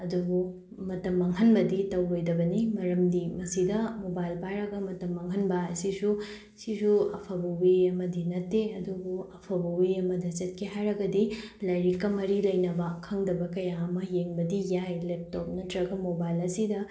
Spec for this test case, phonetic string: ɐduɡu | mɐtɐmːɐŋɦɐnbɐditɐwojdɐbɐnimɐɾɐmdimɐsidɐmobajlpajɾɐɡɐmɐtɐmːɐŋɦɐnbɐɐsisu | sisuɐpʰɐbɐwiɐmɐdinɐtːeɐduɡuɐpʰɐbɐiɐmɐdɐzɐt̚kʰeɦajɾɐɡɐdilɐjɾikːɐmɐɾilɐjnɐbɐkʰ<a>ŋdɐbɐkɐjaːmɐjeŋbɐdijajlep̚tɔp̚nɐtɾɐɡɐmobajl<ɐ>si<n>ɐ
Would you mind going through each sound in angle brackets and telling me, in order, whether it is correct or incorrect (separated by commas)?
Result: incorrect, correct, incorrect